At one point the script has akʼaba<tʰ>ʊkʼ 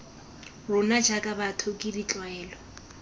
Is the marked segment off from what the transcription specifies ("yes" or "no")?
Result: no